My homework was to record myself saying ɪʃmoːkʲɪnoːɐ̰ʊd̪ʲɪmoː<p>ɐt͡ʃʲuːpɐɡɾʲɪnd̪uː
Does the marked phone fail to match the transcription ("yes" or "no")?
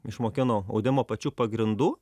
no